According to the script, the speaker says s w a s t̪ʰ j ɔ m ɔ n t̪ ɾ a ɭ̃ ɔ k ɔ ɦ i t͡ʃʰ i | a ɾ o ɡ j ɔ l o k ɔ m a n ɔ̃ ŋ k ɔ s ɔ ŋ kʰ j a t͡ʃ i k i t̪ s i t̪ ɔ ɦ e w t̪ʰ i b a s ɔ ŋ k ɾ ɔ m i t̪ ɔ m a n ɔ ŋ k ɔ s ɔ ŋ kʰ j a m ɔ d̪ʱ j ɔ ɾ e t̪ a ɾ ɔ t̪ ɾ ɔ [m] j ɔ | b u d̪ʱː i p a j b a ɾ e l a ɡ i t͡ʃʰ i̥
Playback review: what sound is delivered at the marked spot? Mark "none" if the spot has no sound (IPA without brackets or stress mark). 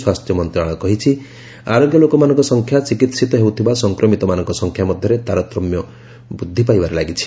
m